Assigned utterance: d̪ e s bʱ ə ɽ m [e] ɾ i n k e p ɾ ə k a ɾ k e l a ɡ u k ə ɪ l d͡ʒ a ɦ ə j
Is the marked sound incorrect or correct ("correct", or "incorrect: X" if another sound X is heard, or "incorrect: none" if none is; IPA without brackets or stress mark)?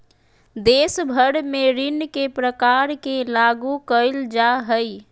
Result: correct